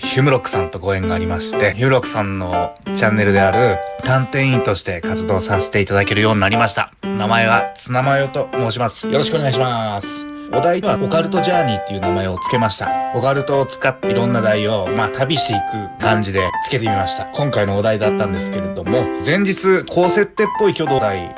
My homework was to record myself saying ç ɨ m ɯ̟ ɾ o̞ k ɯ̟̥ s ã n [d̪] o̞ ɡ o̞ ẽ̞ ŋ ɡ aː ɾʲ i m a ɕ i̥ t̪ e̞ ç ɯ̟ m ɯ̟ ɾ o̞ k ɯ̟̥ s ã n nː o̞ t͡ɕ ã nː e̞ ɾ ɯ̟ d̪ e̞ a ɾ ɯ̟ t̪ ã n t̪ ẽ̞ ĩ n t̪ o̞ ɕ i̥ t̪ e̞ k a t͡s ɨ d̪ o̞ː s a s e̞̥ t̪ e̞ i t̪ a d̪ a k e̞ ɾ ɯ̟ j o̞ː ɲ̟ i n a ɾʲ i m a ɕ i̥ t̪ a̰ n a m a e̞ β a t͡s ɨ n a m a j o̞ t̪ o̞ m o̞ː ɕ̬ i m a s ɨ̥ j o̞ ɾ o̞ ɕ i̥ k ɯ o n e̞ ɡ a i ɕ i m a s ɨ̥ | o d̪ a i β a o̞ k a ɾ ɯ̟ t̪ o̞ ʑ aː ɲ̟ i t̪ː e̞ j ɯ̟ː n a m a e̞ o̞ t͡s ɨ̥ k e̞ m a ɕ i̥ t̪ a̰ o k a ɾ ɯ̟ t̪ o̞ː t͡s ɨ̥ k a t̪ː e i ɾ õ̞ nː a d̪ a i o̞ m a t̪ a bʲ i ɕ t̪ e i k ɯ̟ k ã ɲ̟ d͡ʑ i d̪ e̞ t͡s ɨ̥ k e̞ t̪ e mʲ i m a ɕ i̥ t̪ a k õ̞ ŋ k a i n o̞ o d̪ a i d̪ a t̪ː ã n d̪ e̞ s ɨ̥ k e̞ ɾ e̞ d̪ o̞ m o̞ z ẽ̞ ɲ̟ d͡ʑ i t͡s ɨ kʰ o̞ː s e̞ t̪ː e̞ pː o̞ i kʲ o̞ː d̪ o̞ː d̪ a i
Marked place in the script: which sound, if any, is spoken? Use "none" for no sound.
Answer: t̪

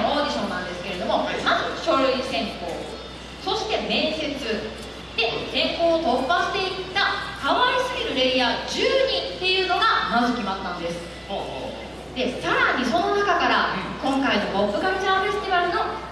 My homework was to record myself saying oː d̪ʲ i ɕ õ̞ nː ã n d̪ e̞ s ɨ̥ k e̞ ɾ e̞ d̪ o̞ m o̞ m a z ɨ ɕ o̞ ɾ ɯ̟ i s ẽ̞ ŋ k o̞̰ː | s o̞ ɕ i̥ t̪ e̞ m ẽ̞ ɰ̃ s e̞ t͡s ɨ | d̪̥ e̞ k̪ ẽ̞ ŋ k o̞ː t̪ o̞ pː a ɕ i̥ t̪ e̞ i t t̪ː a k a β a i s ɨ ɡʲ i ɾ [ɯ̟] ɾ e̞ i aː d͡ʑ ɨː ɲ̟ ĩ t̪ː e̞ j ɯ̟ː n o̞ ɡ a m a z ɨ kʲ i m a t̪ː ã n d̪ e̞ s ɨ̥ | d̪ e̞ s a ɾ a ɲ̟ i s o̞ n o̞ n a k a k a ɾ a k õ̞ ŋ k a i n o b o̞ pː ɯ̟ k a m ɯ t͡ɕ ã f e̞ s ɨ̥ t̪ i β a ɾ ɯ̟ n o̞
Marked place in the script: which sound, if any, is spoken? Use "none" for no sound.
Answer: ɯ̟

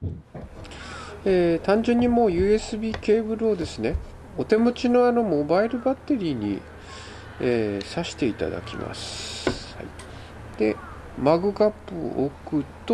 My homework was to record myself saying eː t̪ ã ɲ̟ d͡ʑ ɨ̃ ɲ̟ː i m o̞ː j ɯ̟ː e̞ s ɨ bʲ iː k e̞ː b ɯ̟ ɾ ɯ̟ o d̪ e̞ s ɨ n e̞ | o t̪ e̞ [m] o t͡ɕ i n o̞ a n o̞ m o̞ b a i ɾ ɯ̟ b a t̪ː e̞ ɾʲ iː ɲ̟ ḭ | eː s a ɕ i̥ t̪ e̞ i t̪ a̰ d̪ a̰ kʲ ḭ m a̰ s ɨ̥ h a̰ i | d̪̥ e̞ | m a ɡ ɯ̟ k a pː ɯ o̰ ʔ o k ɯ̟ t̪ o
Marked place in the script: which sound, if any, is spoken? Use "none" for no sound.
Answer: m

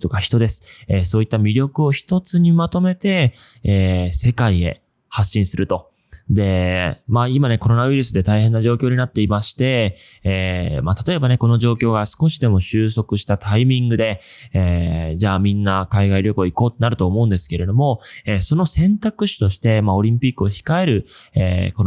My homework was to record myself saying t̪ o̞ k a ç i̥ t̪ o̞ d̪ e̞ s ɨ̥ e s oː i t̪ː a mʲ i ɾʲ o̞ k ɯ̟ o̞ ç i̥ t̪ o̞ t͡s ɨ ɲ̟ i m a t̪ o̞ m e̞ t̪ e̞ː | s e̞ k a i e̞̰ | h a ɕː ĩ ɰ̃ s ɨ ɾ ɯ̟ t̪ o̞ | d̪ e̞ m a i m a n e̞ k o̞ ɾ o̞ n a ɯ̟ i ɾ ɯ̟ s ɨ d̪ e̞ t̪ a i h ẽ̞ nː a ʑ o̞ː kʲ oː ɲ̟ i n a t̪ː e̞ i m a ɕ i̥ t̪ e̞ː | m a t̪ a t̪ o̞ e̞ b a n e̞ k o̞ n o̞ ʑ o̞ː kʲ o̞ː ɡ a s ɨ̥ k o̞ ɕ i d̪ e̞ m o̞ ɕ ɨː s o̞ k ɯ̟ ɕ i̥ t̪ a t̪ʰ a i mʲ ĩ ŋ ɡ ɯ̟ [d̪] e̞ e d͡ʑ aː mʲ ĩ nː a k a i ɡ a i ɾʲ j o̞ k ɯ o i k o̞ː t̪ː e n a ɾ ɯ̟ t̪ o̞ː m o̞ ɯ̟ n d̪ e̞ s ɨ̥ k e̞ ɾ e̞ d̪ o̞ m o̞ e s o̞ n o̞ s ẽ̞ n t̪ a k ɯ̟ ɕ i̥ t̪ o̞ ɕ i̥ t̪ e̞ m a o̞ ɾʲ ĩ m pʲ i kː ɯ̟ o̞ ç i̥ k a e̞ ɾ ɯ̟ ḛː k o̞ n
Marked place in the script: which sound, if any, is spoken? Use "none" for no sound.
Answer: d̪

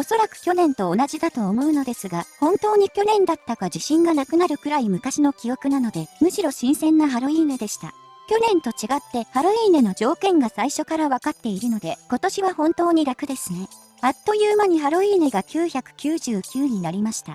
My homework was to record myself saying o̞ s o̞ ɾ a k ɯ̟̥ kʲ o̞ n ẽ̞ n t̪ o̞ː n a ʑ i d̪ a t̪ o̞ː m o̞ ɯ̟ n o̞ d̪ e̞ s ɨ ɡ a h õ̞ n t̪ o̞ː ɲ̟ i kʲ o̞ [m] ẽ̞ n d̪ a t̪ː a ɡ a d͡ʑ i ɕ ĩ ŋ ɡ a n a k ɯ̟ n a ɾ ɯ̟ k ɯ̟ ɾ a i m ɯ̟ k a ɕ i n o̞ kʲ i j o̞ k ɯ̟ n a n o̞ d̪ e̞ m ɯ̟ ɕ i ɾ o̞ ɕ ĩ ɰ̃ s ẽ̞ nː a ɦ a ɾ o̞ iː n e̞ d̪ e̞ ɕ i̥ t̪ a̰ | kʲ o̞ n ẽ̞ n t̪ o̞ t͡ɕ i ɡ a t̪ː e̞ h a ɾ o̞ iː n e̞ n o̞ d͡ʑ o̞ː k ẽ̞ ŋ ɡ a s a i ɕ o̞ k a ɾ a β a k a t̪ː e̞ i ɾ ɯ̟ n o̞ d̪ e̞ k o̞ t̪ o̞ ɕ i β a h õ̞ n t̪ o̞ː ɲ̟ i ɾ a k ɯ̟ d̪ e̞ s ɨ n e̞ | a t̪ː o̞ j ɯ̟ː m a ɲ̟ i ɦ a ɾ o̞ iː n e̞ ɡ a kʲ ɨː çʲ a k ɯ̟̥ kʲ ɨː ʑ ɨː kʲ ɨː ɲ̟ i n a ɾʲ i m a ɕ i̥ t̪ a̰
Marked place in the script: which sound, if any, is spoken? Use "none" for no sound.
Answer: n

